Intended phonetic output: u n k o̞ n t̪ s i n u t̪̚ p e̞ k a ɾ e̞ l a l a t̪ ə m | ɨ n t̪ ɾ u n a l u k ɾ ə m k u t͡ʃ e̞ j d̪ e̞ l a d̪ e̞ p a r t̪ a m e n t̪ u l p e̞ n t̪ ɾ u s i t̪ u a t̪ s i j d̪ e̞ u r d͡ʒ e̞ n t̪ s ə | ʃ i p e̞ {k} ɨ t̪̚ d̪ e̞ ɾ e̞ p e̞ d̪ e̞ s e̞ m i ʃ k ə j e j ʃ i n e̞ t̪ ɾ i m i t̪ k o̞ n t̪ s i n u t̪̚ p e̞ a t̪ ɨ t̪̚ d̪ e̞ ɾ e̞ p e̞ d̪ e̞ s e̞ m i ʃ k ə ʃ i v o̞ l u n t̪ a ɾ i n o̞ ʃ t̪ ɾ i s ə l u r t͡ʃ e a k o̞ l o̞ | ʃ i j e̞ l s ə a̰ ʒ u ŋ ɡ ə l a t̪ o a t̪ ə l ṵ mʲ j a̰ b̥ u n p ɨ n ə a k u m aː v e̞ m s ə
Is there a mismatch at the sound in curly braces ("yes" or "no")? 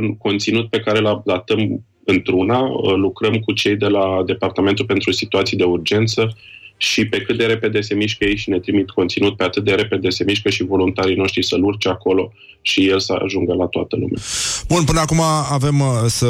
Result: no